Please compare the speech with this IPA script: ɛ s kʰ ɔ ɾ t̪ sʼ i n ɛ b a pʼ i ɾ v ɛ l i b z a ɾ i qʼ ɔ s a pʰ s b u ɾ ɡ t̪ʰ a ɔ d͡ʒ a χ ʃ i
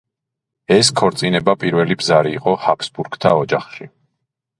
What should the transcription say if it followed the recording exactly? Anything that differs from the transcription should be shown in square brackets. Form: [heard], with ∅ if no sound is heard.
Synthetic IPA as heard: ɛ s kʰ ɔ ɾ t̪ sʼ i n ɛ b a pʼ i ɾ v ɛ l i b z a ɾ [iː] qʼ ɔ [h] a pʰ s b u ɾ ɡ t̪ʰ a ɔ d͡ʒ a χ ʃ i